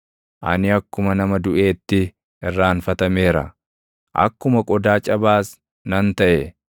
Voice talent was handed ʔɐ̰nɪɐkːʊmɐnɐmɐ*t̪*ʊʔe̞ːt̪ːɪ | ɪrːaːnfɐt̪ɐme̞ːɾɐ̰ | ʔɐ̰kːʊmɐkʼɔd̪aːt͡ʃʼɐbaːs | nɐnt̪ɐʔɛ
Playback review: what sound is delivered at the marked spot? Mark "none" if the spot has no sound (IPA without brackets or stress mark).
d̪